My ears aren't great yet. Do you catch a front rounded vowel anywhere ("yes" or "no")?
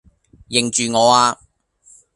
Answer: yes